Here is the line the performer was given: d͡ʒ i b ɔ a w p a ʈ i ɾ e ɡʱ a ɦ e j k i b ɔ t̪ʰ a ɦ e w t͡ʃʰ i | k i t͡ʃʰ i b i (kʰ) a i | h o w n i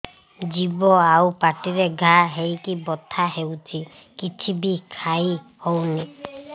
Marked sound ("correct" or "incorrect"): correct